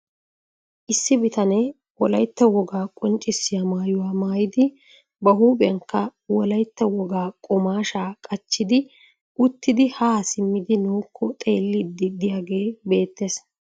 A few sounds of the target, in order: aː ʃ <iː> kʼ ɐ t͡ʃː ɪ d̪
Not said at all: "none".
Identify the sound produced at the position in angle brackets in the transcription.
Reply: aː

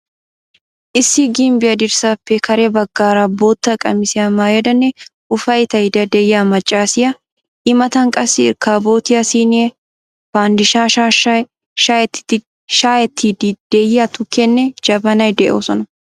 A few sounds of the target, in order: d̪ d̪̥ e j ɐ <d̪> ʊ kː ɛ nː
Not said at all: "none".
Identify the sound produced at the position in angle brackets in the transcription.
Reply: t̪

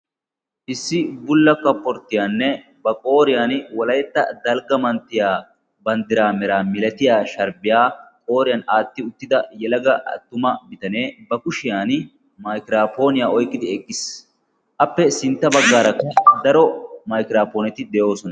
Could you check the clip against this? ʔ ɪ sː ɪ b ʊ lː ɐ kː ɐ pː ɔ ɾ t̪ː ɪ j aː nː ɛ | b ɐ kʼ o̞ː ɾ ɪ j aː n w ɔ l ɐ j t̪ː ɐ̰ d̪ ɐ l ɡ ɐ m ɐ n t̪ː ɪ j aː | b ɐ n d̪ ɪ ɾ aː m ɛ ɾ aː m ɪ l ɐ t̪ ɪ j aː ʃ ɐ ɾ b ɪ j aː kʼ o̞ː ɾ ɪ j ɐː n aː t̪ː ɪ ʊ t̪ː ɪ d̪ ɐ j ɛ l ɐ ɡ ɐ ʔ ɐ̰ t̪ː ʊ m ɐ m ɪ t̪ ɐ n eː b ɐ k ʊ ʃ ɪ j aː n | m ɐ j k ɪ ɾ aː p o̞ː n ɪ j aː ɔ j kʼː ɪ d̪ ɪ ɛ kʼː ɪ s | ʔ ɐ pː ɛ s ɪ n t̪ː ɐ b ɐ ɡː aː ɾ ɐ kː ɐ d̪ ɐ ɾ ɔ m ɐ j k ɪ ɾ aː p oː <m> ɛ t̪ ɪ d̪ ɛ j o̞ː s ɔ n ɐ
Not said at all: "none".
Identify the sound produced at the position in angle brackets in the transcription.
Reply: n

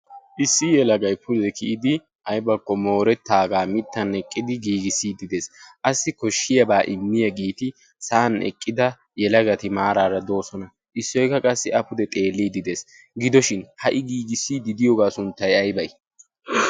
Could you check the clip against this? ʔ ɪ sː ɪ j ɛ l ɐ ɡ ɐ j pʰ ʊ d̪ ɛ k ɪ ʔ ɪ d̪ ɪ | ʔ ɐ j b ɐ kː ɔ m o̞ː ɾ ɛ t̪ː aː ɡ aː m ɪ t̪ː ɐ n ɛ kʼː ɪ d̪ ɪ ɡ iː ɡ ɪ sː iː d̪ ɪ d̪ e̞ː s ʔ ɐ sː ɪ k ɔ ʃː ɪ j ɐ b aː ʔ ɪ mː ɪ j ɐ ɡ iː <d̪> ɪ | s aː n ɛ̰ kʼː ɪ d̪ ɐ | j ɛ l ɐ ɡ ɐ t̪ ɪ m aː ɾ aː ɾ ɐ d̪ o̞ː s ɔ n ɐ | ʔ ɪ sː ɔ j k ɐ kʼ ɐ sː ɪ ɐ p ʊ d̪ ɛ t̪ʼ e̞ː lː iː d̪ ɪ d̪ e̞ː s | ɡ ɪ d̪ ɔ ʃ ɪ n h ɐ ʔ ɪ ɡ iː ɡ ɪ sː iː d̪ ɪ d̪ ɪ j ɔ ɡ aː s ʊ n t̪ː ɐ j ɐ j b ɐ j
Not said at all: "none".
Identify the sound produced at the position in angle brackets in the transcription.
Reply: t̪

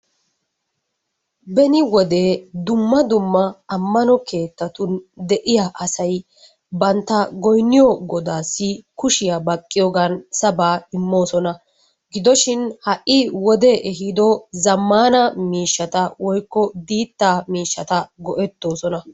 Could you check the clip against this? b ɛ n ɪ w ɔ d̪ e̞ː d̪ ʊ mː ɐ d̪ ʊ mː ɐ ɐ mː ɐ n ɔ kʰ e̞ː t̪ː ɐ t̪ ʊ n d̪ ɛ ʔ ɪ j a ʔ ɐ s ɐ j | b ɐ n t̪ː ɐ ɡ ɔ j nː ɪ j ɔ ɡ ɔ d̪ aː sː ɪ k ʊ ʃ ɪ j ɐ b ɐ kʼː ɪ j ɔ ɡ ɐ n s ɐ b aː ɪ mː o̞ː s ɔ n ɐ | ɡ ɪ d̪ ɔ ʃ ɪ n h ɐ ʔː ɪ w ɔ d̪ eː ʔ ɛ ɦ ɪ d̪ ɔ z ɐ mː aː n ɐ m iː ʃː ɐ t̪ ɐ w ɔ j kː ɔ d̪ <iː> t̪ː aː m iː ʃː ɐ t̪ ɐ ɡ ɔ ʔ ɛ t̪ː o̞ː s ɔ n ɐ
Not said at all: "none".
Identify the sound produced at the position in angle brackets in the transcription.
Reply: iː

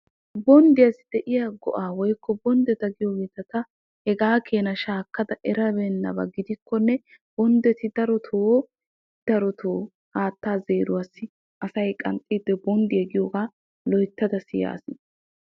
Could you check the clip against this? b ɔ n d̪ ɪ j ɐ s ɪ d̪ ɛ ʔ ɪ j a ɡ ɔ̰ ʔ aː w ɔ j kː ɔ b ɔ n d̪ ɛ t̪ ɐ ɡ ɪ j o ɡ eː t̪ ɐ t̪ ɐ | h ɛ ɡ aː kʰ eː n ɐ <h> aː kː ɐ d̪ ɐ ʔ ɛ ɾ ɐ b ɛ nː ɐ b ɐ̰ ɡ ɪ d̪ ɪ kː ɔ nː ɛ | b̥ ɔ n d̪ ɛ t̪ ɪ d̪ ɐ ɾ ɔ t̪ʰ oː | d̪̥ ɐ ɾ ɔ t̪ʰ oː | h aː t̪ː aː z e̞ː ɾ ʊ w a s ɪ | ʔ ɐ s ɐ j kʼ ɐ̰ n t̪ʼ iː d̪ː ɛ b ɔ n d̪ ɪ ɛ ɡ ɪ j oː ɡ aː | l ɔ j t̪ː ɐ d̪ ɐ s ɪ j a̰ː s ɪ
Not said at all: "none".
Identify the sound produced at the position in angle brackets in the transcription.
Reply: ʃ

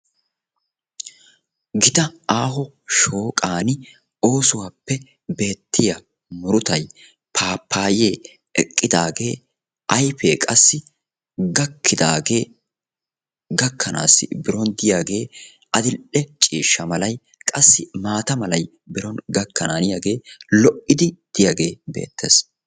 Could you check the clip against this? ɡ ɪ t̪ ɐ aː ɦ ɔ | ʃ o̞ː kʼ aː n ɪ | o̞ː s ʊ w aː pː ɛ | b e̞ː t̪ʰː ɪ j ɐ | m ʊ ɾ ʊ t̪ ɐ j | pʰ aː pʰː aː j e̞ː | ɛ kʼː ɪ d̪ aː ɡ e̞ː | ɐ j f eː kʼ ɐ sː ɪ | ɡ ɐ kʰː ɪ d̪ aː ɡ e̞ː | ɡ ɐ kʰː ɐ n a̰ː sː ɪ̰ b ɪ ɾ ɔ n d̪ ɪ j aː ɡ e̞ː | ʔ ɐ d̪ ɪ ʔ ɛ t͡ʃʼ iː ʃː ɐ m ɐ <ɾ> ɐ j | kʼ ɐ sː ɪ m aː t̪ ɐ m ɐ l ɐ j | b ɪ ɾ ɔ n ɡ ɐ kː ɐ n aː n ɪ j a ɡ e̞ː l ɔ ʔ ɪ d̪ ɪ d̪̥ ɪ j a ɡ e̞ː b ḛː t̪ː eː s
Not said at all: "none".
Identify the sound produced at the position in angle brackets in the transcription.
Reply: l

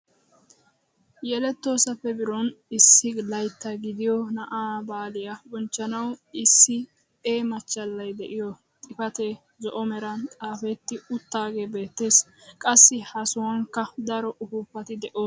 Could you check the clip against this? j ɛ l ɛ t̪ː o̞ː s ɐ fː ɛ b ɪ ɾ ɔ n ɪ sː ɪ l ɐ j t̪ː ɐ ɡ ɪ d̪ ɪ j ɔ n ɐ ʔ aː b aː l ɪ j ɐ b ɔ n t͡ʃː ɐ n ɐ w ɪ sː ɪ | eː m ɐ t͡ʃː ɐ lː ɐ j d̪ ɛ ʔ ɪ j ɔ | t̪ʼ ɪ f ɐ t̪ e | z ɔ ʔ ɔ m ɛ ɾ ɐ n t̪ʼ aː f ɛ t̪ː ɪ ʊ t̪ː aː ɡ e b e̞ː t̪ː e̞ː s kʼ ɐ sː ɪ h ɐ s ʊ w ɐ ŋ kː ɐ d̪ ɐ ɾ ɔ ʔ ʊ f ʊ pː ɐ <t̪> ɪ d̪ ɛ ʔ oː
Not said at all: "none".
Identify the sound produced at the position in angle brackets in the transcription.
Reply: t̪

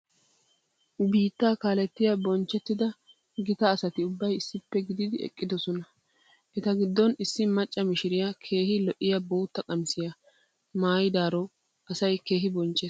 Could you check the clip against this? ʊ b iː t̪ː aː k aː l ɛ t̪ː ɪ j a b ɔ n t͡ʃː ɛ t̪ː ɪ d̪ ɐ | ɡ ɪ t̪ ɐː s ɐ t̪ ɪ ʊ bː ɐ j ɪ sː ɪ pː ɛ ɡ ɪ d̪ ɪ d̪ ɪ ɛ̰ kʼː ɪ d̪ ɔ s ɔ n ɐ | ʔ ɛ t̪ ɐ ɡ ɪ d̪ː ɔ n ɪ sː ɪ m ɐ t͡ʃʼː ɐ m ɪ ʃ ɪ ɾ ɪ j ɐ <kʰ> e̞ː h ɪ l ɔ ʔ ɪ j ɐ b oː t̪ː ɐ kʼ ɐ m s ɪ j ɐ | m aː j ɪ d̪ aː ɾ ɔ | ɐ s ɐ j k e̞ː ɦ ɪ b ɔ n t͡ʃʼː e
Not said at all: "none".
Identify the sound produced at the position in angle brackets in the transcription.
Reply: kʰ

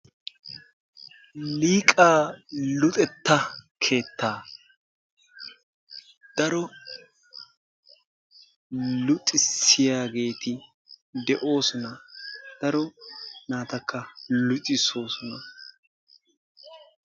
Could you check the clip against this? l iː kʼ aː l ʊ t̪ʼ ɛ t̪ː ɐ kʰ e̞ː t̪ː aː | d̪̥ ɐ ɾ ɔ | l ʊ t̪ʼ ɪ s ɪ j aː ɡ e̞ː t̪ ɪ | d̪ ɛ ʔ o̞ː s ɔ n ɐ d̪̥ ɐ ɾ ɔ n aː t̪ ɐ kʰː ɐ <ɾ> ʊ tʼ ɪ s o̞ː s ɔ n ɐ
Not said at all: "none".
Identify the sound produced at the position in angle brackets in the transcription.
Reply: l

